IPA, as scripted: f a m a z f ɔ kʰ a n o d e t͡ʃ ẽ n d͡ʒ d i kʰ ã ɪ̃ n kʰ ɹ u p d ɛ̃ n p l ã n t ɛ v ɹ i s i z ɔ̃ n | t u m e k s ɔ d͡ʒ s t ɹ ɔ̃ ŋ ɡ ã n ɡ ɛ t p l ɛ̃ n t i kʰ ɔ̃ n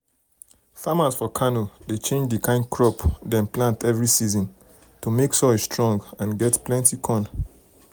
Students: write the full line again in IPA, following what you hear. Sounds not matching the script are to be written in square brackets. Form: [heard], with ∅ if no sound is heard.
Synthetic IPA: f a m a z f ɔ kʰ a n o d e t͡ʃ ẽ n d͡ʒ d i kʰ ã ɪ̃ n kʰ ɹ [ɔ] p d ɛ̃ n p l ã n t ɛ v ɹ i s i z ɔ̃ n | t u m e k s ɔ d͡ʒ s t ɹ ɔ̃ ŋ ɡ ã n ɡ ɛ t p l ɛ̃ n t i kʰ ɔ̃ n